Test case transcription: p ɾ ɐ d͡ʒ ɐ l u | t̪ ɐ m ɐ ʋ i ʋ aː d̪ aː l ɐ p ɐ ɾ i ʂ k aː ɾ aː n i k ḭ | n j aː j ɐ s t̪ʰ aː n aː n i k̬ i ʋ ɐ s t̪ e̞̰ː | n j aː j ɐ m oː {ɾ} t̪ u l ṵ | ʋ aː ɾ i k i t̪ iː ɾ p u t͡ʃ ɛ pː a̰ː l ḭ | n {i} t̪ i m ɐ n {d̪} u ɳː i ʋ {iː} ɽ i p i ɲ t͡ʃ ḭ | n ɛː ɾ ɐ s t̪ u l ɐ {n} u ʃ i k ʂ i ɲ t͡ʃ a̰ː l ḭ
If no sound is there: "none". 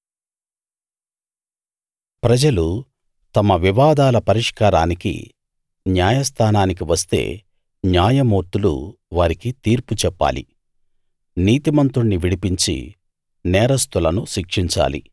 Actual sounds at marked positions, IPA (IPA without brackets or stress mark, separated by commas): ɾ, iː, t̪, i, n